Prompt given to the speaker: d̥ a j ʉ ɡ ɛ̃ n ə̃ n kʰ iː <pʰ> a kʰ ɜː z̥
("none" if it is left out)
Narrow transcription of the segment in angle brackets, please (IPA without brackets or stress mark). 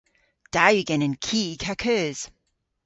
kʰ